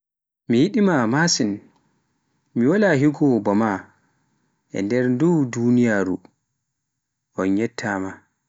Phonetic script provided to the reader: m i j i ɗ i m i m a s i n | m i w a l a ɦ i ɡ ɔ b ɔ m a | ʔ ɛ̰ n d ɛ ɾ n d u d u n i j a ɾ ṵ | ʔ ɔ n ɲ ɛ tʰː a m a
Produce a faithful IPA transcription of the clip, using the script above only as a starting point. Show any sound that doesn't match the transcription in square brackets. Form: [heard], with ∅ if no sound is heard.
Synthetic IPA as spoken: m i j i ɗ i m [a] m a s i n | m i w a l a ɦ i ɡ ɔ b ɔ m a | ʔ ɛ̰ n d ɛ ɾ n d u d u n i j a ɾ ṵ | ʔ ɔ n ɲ ɛ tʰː a m a